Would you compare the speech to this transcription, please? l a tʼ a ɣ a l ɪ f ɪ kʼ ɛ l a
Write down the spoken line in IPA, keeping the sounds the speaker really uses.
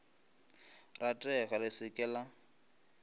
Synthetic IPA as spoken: r a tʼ ɛ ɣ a l ɪ s ɪ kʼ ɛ l a